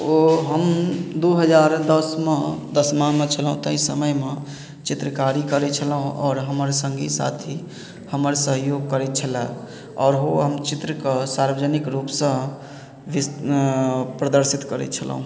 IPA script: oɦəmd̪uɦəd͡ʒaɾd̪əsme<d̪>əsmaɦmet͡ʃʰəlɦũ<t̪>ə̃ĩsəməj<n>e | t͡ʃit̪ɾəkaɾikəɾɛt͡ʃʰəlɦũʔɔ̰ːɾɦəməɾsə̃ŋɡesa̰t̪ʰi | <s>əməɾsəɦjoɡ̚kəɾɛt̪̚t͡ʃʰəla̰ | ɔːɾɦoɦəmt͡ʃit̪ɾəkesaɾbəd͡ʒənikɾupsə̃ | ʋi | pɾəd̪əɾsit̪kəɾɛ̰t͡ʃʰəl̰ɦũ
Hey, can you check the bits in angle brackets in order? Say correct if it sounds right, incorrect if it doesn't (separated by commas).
correct, correct, incorrect, incorrect